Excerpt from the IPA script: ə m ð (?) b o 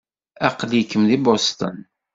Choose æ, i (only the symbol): i